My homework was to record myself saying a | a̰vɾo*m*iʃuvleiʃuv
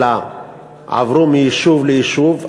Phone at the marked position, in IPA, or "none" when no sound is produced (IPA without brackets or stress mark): m